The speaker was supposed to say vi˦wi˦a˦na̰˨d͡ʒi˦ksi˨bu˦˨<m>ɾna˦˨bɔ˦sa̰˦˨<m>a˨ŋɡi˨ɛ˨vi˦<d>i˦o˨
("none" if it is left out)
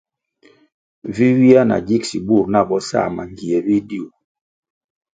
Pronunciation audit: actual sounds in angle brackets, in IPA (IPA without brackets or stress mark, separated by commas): none, m, d